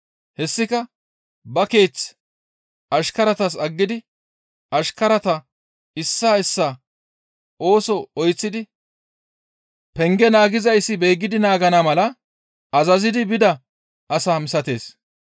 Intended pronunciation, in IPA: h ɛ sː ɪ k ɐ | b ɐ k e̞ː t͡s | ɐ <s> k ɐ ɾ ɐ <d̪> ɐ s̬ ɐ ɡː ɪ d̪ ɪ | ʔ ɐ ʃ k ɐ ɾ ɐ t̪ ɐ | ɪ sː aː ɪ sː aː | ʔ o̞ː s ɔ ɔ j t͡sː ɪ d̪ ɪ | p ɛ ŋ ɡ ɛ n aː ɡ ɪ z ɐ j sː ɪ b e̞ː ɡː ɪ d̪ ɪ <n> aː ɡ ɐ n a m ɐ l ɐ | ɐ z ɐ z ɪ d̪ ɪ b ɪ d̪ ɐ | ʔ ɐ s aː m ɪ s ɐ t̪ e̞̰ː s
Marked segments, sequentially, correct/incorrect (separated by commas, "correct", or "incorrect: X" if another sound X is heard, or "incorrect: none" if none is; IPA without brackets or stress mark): incorrect: ʃ, incorrect: t̪, correct